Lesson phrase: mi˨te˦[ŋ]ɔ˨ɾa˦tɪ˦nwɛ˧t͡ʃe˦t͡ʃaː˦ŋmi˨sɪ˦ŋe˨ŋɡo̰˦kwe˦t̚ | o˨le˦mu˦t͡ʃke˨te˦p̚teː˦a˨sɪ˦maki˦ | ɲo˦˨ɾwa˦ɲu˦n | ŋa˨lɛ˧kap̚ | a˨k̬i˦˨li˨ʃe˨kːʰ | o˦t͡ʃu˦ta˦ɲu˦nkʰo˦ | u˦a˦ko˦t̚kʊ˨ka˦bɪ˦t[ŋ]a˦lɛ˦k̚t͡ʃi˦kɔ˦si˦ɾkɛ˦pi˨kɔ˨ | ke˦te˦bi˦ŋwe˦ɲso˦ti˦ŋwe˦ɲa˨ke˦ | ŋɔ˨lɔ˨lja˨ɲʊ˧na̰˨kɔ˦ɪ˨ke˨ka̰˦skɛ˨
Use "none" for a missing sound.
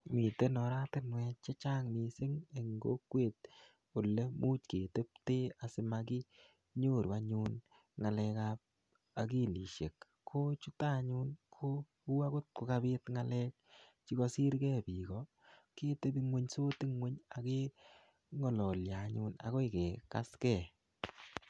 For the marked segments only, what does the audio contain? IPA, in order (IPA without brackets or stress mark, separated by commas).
n, ŋ